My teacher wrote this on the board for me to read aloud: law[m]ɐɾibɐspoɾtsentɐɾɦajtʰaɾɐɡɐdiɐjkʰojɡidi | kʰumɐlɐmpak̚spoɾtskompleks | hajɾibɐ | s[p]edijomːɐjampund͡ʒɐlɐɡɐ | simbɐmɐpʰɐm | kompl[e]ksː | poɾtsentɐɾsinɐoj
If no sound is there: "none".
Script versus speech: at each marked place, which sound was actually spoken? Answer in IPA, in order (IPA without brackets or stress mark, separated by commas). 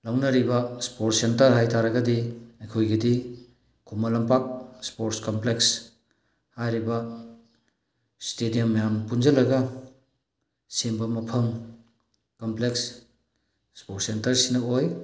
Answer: n, t, e